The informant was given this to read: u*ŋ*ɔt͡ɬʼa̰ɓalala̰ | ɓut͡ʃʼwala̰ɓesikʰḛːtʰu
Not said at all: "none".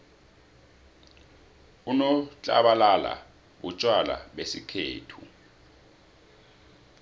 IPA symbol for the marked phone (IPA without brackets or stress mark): n